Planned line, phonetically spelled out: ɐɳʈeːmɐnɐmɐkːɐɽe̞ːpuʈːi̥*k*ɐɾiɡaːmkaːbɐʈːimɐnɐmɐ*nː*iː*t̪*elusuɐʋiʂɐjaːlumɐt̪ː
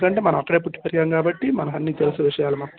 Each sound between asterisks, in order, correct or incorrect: incorrect, correct, correct

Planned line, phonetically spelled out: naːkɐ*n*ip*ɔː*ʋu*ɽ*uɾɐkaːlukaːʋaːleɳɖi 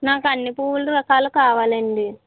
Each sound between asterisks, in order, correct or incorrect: incorrect, incorrect, incorrect

